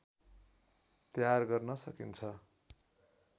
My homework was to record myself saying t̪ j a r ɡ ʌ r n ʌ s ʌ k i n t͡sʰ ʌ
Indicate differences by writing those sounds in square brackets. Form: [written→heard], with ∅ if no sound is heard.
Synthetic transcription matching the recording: t̪ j a r ɡ ʌ r n ʌ s ʌ k i n t͡sʰ ʌ